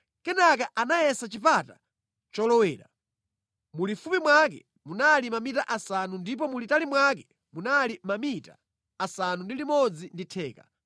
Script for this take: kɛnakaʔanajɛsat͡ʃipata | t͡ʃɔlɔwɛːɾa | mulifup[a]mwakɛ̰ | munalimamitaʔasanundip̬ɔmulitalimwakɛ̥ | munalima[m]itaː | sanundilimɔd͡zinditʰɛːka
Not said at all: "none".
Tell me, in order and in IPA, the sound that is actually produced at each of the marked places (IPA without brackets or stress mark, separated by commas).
i, m